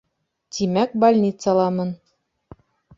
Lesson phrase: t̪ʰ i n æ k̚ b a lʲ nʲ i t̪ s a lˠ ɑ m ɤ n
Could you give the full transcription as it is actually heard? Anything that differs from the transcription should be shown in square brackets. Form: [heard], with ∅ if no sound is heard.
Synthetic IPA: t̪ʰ i [m] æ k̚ b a lʲ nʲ i t̪ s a lˠ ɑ m ɤ n